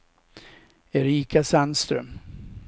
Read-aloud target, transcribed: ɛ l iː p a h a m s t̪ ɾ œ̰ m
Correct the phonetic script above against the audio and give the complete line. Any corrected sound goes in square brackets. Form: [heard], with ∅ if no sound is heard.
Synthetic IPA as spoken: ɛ [ɾ] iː [k] a [s] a [n] s t̪ ɾ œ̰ m